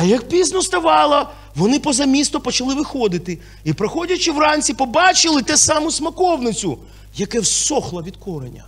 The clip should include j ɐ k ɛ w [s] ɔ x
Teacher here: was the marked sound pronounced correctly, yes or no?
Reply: yes